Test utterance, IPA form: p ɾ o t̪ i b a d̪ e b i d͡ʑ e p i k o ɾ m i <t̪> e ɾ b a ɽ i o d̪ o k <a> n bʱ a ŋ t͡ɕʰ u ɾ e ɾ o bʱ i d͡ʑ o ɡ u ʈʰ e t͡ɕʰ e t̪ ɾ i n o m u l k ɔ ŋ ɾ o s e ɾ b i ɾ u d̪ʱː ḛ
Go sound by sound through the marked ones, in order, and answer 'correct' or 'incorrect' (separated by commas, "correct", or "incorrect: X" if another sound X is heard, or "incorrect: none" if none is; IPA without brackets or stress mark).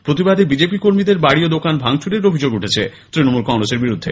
incorrect: d̪, correct